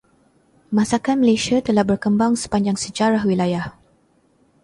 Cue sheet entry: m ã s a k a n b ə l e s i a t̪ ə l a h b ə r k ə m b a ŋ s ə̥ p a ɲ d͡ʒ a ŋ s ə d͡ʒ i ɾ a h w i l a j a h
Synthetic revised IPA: m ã s a k a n m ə l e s i a t̪ ə l a h b ə r k ə m b a ŋ s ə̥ p a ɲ d͡ʒ a ŋ s ə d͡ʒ a ɾ a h w i l a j a h

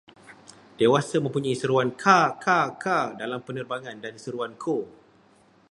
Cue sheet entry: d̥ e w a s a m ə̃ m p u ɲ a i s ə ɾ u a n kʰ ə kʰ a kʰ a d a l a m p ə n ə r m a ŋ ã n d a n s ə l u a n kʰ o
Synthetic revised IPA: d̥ e w a s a m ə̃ m p u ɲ a i s ə ɾ u a n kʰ a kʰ a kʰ a d a l a m p ə n ə r b a ŋ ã n d a n s ə ɾ u a n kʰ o

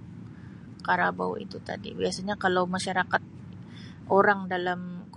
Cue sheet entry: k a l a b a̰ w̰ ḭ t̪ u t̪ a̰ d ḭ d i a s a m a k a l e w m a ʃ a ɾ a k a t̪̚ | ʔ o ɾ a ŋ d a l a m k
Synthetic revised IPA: k a ɾ a b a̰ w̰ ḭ t̪ u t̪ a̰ d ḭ b i a s a ɲ a k a l a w m a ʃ a ɾ a k a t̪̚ | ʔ o ɾ a ŋ d a l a m k

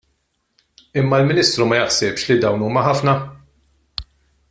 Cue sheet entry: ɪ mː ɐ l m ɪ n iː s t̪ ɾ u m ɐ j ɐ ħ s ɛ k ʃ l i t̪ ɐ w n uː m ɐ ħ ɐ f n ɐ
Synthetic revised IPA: ɪ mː ɐ l m ɪ n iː s t̪ ɾ u m ɐ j ɐ ħ s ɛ p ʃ l i d̪ ɐ w n uː m ɐ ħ ɐ f n ɐ

